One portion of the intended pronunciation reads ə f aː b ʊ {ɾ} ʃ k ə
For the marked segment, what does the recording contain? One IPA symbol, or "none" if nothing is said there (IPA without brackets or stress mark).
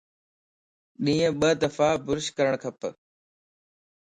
ɾ